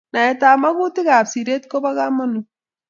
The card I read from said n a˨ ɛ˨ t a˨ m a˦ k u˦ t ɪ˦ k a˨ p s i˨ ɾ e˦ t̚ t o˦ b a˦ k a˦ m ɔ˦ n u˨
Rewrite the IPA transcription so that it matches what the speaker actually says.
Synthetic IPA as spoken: n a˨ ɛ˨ t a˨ m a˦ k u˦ t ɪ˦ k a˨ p s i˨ ɾ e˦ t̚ k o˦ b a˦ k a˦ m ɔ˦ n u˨